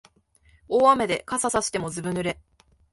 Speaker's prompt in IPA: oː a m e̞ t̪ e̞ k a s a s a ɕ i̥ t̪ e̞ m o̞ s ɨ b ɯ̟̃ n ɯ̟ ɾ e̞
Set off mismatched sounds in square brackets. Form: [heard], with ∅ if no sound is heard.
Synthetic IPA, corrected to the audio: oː a m e̞ [d̪] e̞ k a s a s a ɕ i̥ t̪ e̞ m o̞ [z] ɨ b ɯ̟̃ n ɯ̟ ɾ e̞